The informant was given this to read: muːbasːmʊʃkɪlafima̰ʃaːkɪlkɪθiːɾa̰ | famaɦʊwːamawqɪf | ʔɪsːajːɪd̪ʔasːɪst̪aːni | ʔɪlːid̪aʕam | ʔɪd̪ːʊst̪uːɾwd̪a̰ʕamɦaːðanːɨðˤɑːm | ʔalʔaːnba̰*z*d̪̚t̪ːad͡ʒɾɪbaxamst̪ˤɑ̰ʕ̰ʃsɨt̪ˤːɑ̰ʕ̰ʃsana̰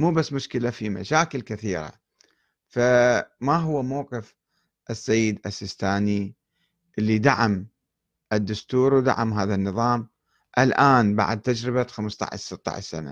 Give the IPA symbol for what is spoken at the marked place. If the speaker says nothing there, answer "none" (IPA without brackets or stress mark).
ʕ